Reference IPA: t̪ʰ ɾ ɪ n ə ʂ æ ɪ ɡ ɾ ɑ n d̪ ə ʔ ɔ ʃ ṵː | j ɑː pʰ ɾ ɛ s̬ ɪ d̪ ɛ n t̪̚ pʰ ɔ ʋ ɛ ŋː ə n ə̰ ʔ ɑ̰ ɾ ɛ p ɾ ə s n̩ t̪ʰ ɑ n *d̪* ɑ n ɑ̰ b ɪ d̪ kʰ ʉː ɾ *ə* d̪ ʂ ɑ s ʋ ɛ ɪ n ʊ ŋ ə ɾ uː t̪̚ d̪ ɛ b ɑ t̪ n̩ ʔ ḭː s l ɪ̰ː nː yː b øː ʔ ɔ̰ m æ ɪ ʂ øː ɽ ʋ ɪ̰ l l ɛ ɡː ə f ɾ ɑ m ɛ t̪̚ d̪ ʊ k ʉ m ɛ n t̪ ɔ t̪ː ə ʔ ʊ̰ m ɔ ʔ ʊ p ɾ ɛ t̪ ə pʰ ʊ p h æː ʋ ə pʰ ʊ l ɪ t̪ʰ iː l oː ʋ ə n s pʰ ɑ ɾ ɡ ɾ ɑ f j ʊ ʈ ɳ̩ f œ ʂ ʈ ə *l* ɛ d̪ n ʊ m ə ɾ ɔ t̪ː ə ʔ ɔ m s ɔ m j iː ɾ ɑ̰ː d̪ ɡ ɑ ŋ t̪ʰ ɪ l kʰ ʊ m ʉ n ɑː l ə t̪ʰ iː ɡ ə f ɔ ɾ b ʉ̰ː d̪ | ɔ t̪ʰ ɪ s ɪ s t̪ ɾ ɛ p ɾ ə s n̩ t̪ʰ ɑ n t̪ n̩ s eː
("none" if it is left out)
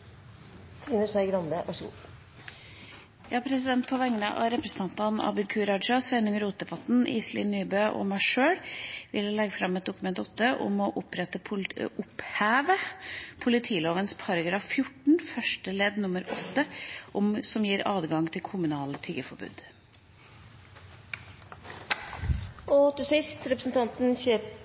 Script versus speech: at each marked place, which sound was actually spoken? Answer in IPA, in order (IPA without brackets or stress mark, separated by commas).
t̪, ɑ, l